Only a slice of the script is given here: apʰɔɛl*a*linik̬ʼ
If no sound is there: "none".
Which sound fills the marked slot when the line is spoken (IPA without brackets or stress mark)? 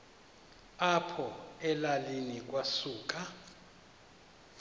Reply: a